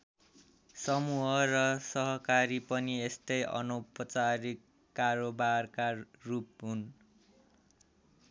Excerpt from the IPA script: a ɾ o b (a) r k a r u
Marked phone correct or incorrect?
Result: correct